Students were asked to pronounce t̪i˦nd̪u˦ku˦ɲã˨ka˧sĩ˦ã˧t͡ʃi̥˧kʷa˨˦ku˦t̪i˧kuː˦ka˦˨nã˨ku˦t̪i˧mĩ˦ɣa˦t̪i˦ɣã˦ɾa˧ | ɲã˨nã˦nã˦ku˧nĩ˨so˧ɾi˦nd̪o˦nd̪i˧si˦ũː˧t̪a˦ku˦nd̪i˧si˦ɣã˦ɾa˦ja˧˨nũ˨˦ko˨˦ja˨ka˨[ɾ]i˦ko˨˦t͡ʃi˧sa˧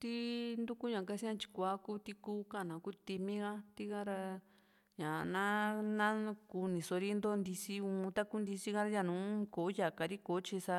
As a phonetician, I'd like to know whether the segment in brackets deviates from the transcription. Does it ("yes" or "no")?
no